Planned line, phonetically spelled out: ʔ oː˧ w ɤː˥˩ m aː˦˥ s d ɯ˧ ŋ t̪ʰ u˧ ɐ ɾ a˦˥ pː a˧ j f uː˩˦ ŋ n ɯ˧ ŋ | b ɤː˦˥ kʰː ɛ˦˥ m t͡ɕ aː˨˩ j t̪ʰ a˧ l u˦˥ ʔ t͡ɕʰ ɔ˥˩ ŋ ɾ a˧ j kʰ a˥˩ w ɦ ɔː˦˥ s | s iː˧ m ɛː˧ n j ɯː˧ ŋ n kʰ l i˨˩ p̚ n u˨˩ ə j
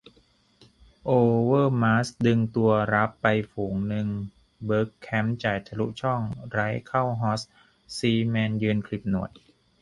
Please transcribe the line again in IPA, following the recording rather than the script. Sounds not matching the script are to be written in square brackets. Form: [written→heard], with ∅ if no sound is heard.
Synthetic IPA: ʔ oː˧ w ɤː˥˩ m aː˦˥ s d ɯ˧ ŋ [t̪ʰ→t̪] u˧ ɐ ɾ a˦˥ pː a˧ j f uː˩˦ ŋ n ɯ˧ ŋ | b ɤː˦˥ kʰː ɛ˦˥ m t͡ɕ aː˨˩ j t̪ʰ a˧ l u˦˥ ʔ t͡ɕʰ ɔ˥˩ ŋ ɾ [a˧→a˦˥] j kʰ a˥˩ w ɦ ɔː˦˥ s | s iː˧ m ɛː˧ n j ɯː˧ [ŋ→∅] n kʰ l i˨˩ p̚ n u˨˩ ə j